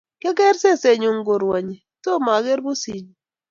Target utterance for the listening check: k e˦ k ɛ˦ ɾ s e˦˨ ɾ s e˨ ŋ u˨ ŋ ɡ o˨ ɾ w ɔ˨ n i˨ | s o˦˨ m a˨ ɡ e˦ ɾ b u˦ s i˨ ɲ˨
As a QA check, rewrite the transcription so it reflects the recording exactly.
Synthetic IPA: k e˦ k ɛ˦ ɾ s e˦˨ s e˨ ɲ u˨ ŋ ɡ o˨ ɾ w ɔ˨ ɲ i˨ | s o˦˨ m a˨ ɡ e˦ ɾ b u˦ s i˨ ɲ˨